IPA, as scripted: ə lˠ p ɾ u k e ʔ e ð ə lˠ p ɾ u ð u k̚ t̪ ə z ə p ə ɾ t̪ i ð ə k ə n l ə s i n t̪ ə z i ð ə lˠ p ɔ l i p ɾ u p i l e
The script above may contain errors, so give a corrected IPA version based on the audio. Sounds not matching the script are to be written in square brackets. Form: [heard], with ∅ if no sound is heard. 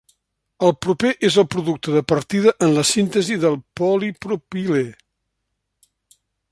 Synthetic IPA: ə lˠ p ɾ u [p] e ʔ e [z] ə lˠ p ɾ u ð u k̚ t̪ ə [ð] ə p ə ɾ t̪ i ð ə [ʔ] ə n l ə s i n t̪ ə z i ð ə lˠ p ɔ l i p ɾ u p i l e